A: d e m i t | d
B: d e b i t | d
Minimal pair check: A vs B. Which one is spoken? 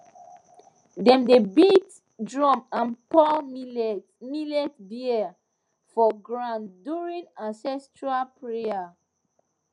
B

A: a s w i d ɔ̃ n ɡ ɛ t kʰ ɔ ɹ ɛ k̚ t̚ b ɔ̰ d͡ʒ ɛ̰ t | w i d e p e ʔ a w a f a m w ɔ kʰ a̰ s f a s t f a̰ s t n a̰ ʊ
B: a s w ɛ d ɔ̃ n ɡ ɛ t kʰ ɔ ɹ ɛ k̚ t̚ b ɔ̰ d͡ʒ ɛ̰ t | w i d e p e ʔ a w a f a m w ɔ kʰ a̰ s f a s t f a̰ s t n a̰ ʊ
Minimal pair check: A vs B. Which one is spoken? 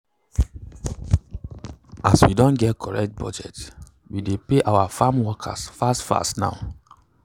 A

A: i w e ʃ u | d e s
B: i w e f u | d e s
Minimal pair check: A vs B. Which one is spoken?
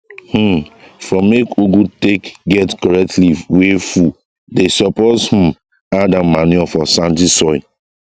B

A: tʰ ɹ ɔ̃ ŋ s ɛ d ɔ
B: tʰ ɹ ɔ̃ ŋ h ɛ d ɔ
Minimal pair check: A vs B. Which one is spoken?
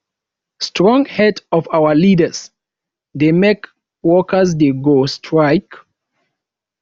B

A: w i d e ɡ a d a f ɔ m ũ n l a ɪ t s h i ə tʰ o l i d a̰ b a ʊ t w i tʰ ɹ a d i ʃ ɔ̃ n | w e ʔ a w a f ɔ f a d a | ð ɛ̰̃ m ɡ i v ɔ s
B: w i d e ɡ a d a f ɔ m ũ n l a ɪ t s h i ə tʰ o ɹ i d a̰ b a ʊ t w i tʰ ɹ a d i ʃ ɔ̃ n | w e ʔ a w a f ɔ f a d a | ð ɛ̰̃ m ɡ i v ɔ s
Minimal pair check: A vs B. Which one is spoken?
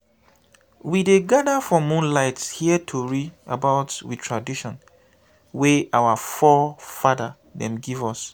B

